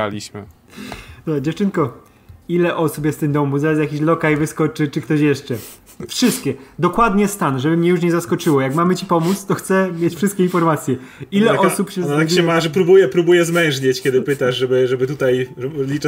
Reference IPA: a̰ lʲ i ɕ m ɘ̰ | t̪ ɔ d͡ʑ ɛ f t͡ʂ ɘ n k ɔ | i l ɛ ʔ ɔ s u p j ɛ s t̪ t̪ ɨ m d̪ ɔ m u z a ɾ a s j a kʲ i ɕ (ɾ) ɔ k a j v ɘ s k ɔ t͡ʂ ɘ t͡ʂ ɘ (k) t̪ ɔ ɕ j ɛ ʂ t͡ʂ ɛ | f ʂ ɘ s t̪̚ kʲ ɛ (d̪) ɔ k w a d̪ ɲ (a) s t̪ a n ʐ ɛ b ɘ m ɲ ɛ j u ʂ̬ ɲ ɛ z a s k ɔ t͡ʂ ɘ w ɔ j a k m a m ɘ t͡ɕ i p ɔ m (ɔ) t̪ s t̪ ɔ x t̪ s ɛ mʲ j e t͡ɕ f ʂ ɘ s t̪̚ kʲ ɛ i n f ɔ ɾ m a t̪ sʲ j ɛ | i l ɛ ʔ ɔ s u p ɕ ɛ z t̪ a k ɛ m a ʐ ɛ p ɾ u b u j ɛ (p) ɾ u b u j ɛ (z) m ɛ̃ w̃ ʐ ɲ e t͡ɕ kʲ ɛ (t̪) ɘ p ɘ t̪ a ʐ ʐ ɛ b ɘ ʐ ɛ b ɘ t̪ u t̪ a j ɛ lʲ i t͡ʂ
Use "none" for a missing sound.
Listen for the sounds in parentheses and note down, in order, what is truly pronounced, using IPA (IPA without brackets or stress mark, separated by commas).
l, k, d̪, ɛ, u, p, z, d̪